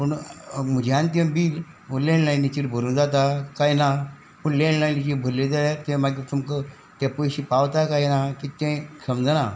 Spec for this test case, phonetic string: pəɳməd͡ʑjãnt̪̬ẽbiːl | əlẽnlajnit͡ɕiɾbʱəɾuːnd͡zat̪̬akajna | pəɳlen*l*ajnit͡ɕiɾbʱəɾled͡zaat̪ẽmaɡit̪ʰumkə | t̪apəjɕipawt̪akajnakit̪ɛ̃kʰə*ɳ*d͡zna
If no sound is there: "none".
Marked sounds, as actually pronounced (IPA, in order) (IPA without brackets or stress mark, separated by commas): l, m